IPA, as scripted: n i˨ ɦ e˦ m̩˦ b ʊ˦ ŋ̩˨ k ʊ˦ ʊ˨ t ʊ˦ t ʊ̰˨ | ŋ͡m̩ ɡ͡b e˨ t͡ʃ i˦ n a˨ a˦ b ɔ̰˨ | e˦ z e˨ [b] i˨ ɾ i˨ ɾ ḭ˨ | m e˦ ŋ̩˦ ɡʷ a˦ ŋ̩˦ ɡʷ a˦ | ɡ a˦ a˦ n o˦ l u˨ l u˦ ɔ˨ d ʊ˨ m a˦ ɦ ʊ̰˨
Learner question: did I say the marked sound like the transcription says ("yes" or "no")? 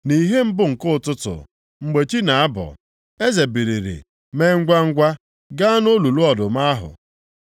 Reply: yes